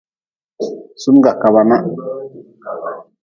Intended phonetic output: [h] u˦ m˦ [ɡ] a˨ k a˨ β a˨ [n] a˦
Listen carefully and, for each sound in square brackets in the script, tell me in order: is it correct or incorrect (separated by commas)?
incorrect, correct, correct